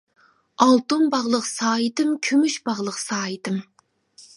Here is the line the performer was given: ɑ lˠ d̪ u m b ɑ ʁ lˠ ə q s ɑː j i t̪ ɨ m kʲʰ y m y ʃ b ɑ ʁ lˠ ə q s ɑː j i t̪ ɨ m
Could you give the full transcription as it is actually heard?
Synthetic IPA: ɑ lˠ t̪ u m b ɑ ʁ lˠ ə q s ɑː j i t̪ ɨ m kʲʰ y m y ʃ b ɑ ʁ lˠ ə q s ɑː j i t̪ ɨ m